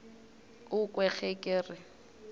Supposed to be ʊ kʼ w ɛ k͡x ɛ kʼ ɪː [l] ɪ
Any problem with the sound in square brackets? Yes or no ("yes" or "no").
yes